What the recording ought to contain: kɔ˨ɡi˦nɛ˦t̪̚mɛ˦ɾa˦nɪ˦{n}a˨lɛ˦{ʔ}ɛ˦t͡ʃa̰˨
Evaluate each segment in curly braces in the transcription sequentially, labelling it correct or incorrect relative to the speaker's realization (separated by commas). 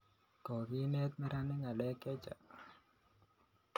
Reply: incorrect, incorrect